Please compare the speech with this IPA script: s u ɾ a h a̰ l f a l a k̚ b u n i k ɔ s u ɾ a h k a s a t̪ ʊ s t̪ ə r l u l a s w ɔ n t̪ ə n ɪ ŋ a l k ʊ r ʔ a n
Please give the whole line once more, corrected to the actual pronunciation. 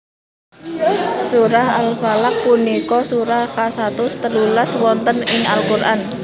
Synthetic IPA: s u ɾ a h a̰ l f a l a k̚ p u n i k ɔ s u ɾ a h k a s a t̪ ʊ s t̪ ə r l u l a s w ɔ n t̪ ə n ɪ ŋ a l k u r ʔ a n